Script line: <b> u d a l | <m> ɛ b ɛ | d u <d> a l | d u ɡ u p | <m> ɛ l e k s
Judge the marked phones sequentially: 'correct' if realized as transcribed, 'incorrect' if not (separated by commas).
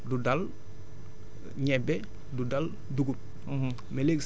incorrect, incorrect, correct, correct